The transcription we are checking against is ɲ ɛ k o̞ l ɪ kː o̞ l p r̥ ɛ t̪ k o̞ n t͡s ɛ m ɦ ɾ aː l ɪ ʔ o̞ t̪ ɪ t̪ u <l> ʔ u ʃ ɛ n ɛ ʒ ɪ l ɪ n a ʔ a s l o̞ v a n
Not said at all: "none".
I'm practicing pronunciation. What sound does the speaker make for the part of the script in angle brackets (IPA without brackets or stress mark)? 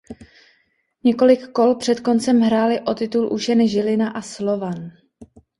l